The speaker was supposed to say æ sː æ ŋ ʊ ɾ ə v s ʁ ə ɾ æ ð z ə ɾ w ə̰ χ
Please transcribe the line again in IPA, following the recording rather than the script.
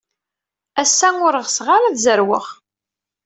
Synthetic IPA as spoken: æ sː æ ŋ ʊ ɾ ə ʁ s ʁ a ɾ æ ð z ə ɾ w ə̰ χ